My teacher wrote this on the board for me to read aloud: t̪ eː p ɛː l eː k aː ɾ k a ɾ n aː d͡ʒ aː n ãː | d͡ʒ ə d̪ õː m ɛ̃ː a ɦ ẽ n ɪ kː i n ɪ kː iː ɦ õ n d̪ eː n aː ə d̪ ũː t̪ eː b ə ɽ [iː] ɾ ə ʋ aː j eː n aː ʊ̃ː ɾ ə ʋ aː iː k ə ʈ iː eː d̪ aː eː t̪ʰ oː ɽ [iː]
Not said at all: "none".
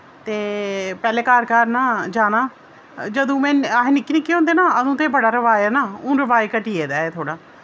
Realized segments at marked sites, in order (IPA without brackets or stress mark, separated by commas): aː, aː